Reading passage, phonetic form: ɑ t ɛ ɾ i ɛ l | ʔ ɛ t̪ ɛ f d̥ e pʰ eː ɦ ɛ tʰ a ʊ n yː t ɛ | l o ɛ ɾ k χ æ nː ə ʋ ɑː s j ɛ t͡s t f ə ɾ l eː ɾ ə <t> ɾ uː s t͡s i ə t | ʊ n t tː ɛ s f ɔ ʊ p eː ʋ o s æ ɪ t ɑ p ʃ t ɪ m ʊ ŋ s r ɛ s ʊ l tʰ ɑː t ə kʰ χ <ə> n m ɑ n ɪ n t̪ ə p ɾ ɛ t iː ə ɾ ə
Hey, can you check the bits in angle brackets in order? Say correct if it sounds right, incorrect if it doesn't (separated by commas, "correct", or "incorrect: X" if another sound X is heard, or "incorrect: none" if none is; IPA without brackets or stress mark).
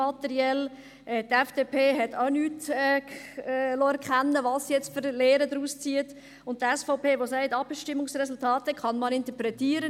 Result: incorrect: d, incorrect: ɑ